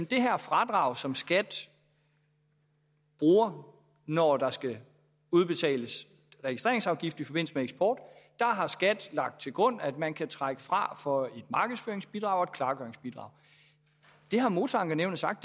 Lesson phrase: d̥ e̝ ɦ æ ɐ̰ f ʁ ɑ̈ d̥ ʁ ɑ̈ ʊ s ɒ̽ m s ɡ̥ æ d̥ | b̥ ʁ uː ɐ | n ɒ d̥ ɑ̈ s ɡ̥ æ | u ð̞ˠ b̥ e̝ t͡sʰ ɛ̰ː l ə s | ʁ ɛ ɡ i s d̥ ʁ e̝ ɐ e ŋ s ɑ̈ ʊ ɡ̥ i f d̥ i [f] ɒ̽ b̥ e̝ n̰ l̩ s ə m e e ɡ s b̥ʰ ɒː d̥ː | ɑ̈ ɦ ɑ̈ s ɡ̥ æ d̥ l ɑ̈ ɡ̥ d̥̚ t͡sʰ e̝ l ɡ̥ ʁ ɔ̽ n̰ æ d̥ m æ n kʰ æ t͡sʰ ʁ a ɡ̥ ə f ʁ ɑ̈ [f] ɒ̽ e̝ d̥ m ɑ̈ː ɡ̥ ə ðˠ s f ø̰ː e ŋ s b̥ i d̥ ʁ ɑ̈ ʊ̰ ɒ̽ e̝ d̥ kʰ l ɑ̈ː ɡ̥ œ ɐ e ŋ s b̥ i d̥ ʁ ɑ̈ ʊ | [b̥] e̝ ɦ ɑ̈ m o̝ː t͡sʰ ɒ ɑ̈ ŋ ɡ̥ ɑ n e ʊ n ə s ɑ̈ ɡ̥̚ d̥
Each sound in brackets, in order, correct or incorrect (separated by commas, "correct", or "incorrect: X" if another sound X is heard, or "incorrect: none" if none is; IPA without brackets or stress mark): correct, correct, incorrect: d̥